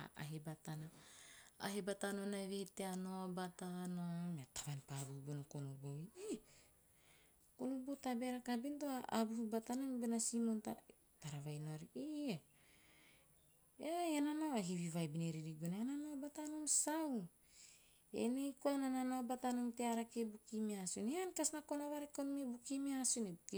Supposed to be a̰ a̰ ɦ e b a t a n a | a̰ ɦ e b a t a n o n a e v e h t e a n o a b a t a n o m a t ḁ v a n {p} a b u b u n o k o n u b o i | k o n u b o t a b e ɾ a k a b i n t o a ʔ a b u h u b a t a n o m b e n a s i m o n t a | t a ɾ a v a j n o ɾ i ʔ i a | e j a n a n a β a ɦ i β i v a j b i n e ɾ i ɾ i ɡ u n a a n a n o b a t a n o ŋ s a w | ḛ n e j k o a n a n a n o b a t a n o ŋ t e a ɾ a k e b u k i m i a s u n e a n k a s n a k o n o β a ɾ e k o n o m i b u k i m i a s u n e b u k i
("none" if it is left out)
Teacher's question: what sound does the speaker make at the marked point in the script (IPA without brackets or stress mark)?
p